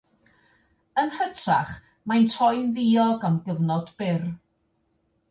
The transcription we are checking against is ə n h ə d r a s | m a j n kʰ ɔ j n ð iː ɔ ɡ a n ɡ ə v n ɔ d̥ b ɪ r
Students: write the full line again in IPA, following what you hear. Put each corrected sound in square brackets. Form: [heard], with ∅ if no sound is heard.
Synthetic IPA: ə n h ə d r a [χ] | m a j n [tʰ] ɔ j n ð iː ɔ ɡ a [m] ɡ ə v n ɔ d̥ b ɪ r